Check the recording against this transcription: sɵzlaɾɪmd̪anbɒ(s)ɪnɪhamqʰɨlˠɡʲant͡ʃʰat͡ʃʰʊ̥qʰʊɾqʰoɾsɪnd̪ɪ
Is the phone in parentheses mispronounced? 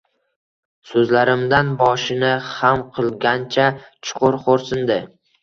yes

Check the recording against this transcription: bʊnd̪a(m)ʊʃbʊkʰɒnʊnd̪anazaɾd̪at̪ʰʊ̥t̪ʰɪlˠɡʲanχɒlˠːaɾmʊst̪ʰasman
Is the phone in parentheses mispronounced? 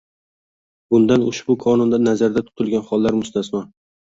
yes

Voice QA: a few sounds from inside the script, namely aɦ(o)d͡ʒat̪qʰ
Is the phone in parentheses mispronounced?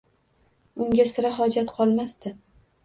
yes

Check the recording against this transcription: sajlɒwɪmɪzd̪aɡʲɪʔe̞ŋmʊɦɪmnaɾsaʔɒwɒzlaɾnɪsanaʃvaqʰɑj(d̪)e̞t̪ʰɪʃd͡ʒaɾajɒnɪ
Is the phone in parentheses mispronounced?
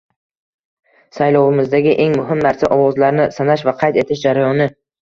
yes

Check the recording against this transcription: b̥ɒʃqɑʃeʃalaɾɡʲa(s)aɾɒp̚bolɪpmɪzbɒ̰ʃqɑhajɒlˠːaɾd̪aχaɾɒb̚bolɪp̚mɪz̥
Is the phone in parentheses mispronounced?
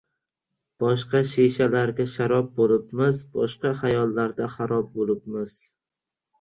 yes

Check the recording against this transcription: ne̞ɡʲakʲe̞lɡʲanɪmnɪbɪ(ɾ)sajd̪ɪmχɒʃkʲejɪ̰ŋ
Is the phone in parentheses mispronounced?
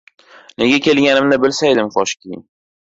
yes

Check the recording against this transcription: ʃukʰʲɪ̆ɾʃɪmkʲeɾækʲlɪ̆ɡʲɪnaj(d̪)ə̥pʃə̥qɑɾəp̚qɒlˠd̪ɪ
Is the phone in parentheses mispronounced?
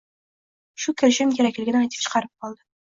yes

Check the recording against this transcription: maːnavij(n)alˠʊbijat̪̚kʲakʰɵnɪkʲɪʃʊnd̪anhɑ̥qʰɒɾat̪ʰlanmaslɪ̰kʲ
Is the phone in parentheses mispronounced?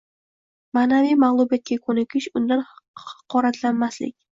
yes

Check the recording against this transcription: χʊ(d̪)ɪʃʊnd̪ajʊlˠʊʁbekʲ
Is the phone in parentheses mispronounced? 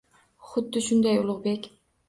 yes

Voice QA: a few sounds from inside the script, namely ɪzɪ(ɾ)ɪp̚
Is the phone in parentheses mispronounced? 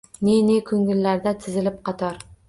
yes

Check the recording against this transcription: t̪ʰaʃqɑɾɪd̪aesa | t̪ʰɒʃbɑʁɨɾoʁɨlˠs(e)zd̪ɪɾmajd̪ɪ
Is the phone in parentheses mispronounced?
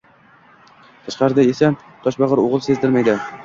no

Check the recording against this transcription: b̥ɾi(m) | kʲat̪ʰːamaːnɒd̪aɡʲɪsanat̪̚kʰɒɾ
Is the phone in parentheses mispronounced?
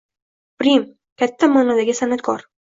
no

